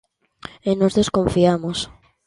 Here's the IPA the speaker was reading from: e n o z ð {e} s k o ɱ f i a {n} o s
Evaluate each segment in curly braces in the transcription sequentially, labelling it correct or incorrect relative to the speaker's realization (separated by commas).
correct, incorrect